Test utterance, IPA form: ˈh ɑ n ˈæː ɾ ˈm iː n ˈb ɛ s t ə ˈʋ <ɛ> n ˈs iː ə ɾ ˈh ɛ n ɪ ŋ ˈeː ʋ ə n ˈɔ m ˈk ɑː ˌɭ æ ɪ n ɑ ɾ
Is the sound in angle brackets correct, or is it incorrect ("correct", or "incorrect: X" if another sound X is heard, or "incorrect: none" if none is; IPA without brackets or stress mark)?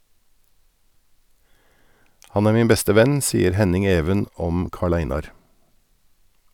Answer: correct